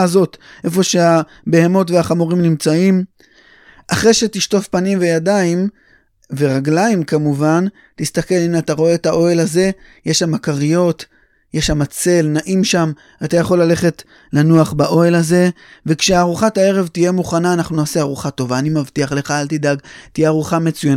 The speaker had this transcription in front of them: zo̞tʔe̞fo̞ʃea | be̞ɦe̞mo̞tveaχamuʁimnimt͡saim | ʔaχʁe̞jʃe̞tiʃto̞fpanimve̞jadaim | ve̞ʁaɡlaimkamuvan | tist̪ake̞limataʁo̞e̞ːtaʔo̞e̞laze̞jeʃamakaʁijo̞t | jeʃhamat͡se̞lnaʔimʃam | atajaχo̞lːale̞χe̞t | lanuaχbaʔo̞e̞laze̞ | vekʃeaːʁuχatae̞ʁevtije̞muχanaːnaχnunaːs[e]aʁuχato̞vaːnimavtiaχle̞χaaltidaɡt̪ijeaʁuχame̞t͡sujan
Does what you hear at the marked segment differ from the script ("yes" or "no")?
no